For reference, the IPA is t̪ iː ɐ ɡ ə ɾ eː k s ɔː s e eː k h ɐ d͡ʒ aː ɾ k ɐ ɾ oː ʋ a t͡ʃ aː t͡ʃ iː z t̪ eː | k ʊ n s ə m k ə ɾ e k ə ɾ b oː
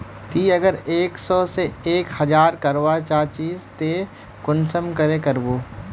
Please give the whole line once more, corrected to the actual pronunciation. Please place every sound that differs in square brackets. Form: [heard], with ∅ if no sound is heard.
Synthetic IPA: t̪ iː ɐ ɡ ə ɾ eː k s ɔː s e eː k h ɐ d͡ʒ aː ɾ k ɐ ɾ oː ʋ a t͡ʃ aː t͡ʃ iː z t̪ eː | k ʊ n s ə m k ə ɾ e k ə ɾ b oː